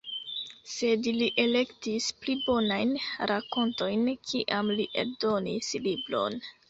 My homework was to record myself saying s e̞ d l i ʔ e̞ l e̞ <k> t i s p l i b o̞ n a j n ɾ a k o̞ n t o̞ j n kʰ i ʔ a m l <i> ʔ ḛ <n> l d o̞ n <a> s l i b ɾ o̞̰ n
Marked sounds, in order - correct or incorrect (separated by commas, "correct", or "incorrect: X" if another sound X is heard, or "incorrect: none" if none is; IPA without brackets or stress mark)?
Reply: correct, correct, incorrect: none, incorrect: i